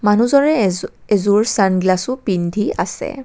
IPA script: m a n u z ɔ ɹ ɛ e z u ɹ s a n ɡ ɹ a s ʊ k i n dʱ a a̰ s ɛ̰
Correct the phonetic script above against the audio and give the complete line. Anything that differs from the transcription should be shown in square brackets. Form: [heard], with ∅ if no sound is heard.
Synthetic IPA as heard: m a n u z ɔ ɹ ɛ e z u ɹ s a n ɡ [l] a s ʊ [p] i n dʱ [i] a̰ s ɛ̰